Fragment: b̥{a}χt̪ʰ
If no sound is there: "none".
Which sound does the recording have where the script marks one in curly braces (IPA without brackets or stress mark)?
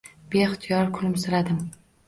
e